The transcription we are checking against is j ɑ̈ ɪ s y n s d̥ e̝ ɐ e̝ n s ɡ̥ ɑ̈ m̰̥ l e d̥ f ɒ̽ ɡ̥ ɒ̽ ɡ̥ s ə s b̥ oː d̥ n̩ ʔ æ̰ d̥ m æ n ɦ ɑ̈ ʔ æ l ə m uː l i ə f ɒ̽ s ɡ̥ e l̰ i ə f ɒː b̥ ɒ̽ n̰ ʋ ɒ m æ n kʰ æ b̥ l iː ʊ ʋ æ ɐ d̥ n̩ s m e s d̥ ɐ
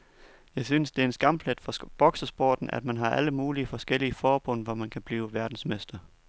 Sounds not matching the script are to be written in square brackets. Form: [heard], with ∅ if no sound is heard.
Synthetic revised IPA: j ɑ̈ ɪ s y n s d̥ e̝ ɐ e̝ n s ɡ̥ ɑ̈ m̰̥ l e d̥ f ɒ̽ [b̥] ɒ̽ ɡ̥ s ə s b̥ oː d̥ n̩ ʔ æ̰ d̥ m æ n ɦ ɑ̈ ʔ æ l ə m uː l i ə f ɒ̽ s ɡ̥ e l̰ i ə f ɒː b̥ [ɔ̽] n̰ ʋ ɒ m æ n kʰ æ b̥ l iː ʊ ʋ æ ɐ d̥ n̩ s m e s d̥ ɐ